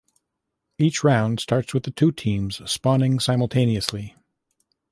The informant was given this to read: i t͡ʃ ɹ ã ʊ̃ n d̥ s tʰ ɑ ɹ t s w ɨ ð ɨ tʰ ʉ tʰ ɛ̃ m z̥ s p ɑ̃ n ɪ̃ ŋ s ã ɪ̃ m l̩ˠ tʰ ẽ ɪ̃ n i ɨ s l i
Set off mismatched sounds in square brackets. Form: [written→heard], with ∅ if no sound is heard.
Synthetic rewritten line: i t͡ʃ ɹ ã ʊ̃ n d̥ s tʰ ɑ ɹ t s w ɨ ð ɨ tʰ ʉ tʰ [ɛ̃→ĩ] m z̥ s p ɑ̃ n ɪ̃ ŋ s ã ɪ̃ m l̩ˠ tʰ ẽ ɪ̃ n i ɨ s l i